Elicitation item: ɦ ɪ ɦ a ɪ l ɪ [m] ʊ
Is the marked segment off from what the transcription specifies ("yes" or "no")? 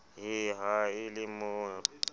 no